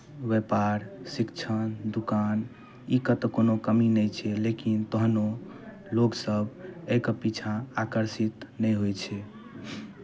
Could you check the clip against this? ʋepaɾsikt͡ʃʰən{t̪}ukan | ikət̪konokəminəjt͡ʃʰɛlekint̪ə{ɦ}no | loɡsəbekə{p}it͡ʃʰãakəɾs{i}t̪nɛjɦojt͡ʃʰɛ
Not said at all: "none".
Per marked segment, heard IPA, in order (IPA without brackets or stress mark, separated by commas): d̪, ɦ, p, i